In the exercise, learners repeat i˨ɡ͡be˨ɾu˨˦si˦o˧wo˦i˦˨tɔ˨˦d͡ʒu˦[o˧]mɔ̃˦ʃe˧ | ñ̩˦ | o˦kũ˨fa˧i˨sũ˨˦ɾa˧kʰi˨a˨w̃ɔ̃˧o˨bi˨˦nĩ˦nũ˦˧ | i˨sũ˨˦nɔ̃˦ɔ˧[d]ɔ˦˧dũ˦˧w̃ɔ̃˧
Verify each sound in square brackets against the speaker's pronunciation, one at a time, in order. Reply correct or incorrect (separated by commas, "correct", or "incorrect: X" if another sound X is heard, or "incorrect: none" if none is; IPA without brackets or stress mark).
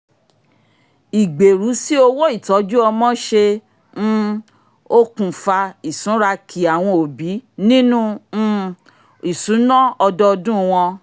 incorrect: ɔ˧, correct